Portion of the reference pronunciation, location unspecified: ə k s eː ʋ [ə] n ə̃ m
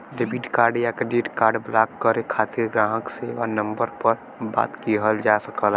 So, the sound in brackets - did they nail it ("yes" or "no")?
no